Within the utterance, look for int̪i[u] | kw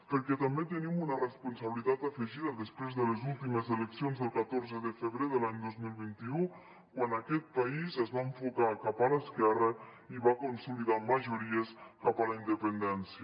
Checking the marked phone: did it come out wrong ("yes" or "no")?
no